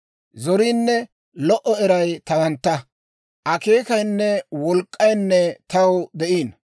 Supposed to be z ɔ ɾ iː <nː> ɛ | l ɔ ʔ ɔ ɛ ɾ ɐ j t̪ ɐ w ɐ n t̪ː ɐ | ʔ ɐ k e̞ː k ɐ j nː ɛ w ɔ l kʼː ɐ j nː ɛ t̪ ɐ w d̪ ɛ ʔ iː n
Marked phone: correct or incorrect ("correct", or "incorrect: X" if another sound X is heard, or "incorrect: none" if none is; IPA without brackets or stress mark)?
correct